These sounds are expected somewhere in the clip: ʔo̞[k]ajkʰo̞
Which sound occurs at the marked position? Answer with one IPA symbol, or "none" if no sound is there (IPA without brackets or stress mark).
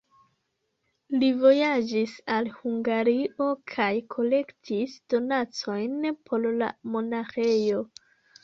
kʰ